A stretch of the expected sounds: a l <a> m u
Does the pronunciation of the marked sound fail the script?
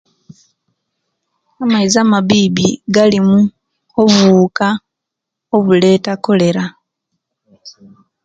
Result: yes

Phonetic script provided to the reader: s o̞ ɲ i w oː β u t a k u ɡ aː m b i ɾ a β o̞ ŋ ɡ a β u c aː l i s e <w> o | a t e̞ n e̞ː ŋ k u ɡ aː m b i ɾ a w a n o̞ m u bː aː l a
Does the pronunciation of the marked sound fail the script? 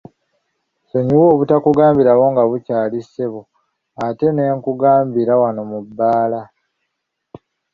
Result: yes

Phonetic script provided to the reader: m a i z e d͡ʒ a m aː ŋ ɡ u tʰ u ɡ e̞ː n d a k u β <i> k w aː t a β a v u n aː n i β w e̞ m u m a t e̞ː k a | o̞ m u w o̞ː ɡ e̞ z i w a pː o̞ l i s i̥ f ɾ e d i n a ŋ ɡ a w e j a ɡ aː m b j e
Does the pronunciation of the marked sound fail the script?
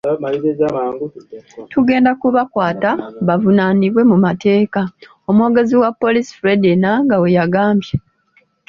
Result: yes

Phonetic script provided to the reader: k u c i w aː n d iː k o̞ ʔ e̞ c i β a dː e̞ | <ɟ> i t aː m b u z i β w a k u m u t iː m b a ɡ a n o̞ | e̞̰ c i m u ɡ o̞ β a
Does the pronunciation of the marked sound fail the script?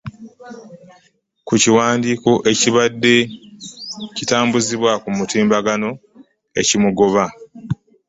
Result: yes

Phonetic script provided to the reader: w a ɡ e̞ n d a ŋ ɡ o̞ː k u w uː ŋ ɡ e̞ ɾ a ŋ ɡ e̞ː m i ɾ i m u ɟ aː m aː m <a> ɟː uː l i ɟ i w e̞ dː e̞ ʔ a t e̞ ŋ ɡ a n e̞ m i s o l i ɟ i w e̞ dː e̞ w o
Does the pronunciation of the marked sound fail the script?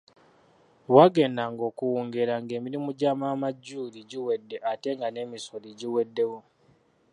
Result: no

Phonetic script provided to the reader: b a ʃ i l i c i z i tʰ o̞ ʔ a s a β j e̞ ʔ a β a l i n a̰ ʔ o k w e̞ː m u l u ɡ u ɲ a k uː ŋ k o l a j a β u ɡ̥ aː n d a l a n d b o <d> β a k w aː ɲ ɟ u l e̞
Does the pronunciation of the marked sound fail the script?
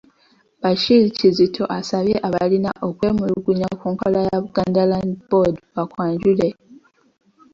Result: no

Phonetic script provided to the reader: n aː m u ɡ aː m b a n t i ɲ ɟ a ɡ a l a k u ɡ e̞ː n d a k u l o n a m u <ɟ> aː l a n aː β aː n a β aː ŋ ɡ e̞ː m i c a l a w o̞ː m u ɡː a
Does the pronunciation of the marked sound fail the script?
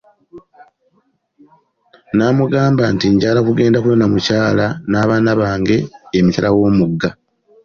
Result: yes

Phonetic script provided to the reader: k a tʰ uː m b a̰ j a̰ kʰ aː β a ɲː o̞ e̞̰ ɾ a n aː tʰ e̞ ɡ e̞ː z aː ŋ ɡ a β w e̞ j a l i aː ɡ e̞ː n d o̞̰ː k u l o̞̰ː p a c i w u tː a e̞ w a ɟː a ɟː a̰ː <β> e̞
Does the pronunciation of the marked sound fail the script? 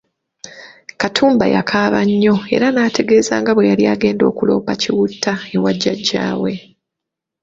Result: yes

